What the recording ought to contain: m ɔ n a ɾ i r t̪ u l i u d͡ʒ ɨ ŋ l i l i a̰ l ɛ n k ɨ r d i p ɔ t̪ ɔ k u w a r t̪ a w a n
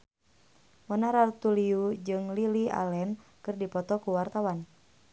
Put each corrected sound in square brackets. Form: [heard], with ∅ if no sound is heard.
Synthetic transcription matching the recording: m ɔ n a ɾ [a] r t̪ u l i u d͡ʒ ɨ ŋ l i l i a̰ l ɛ n k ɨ r d i p ɔ t̪ ɔ k u w a r t̪ a w a n